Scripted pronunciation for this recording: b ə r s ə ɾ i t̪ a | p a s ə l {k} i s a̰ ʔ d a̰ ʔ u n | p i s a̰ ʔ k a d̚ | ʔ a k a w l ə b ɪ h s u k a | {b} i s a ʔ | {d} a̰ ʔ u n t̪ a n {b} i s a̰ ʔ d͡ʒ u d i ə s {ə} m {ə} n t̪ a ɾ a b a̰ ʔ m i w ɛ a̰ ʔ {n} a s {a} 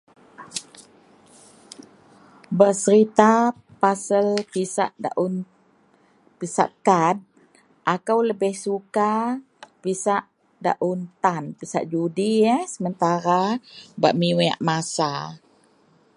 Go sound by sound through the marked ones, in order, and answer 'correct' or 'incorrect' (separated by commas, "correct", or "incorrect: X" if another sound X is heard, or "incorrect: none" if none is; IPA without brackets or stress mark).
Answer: incorrect: p, incorrect: p, correct, incorrect: p, correct, correct, incorrect: m, correct